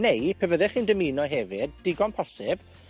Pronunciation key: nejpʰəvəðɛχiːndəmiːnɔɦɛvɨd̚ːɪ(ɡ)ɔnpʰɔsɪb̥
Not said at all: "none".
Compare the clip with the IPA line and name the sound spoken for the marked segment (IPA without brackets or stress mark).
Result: ɡ